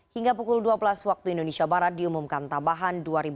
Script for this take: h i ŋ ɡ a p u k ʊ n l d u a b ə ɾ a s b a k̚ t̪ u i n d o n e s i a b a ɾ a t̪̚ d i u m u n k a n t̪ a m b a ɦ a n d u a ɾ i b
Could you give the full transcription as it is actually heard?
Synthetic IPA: h i ŋ ɡ a p u k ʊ l d u a b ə l a s w a k̚ t̪ u i n d o n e s i a b a ɾ a t̪̚ d i u m u m k a n t̪ a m b a ɦ a n d u a ɾ i b